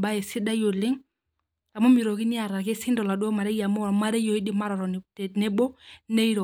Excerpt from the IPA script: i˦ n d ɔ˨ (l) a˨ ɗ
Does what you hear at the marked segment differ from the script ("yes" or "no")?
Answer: no